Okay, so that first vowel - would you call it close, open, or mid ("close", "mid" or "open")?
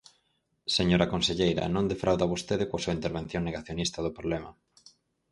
mid